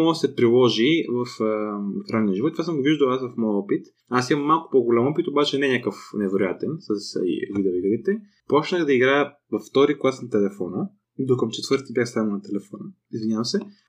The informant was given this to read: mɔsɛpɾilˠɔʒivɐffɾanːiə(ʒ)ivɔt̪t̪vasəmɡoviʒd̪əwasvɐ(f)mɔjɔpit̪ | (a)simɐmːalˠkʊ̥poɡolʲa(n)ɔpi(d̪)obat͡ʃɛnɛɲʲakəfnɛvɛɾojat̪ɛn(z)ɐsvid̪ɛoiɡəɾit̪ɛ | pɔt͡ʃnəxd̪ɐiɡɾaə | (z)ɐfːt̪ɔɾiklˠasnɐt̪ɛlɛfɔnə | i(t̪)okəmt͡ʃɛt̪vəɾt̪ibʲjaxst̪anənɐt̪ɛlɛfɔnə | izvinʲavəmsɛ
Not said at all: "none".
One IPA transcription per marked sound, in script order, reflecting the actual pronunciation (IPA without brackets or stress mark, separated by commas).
ʒ, f, a, m, t̪, s, v, d̪